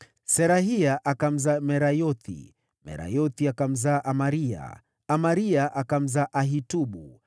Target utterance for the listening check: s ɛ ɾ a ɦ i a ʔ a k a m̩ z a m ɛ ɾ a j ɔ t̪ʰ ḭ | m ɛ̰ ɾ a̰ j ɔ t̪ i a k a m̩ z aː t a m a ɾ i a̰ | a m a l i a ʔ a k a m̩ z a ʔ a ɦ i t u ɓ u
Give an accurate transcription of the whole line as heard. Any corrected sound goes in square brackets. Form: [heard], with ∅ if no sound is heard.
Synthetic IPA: s ɛ ɾ a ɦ i a ʔ a k a m̩ z a m ɛ ɾ a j ɔ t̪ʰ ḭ | m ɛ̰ ɾ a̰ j ɔ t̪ i a k a m̩ z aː [ʔ] a m a ɾ i a̰ | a m a [ɾ] i a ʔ a k a m̩ z a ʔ a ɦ i t u ɓ u